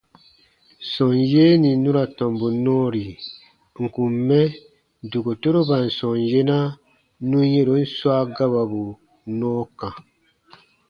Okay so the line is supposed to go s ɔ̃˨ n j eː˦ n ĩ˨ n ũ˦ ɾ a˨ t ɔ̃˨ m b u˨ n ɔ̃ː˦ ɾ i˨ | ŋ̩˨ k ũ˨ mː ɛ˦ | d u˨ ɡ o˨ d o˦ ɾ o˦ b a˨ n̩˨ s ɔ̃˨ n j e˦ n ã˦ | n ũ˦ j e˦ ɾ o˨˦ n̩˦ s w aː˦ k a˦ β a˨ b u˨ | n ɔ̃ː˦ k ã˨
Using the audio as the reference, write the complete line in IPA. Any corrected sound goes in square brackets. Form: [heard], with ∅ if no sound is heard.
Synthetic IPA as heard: s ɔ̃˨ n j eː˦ n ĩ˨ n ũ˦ ɾ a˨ t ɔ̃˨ m b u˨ n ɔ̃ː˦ ɾ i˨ | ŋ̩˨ k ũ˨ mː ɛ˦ | d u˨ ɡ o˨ [t] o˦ ɾ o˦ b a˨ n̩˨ s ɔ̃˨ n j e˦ n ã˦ | n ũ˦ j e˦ ɾ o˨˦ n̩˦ s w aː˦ [ɡ] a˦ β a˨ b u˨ | n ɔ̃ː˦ k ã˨